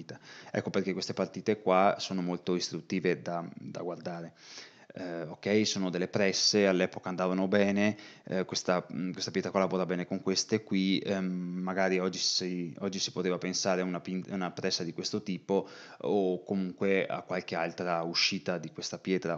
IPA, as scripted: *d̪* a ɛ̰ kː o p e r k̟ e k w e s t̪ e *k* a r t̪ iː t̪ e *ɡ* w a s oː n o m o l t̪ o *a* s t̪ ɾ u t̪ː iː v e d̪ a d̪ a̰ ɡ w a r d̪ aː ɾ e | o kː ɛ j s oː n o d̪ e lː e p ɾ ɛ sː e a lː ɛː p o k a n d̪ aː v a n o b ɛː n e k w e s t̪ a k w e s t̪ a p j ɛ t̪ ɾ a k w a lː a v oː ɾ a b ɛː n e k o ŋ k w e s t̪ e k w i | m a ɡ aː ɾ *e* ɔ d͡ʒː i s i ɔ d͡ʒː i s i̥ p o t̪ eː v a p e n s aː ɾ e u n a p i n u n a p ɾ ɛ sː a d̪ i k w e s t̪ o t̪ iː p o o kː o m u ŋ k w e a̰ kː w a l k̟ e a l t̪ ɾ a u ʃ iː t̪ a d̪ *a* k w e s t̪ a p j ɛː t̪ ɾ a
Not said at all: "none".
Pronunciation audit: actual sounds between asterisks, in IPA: t̪, p, k, i, i, i

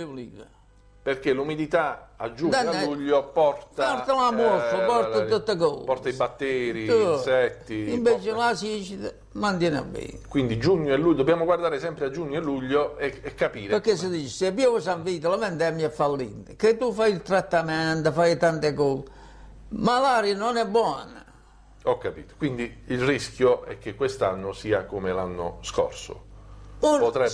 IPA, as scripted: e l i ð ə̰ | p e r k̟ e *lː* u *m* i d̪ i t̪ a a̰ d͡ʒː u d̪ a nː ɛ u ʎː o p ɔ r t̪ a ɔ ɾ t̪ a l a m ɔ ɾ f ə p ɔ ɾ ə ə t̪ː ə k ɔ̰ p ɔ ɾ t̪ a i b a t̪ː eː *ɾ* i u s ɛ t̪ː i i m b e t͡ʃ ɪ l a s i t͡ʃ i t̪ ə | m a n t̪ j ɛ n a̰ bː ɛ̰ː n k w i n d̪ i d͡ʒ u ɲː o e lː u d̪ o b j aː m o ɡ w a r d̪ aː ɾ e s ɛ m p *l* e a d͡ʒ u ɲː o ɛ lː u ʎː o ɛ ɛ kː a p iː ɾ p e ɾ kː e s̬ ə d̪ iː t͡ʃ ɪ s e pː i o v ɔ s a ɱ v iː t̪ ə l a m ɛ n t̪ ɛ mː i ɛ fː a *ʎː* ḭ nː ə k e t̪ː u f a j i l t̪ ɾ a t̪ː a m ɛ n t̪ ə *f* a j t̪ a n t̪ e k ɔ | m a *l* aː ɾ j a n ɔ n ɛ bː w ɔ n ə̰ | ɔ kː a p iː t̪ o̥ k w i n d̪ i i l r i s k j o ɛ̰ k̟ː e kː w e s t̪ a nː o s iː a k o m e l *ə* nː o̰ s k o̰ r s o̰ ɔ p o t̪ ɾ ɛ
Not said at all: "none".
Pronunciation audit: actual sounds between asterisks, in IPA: l, m, ɾ, ɾ, lː, f, l, a

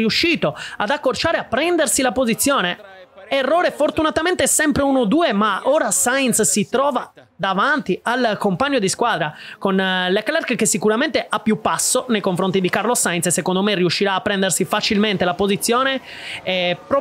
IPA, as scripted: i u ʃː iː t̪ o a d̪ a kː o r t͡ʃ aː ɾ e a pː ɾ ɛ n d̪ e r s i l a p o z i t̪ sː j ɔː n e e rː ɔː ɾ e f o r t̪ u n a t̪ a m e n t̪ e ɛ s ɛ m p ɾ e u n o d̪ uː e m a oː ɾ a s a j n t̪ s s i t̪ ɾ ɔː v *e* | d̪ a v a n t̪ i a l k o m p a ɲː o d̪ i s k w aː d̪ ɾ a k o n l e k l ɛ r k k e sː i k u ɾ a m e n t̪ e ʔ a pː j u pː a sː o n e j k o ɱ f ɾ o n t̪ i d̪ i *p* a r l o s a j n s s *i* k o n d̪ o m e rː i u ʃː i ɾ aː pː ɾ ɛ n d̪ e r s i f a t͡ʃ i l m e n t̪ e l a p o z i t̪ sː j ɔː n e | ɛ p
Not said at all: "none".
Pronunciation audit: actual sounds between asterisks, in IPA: a, k, e

